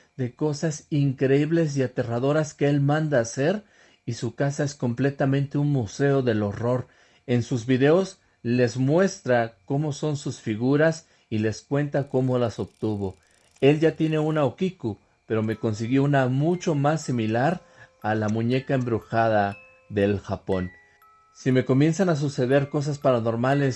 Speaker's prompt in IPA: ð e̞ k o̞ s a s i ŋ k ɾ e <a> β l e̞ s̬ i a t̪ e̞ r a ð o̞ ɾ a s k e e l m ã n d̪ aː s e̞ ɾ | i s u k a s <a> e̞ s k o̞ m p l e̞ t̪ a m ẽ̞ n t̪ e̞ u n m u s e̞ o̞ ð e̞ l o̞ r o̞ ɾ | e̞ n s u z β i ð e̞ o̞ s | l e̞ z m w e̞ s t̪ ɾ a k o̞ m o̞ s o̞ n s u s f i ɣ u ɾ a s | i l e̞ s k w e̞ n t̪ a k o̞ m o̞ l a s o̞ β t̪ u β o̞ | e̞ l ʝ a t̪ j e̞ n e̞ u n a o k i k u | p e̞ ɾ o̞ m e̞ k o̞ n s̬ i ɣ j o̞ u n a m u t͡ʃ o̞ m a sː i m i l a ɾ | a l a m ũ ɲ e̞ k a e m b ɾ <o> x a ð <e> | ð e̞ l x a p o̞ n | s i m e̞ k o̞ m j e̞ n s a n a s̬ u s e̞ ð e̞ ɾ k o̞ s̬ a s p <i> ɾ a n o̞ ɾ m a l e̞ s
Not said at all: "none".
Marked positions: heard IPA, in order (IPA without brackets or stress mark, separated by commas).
i, a, u, a, a